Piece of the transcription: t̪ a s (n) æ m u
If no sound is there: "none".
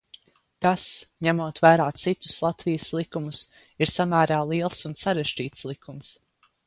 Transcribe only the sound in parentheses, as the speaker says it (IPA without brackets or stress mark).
ɲ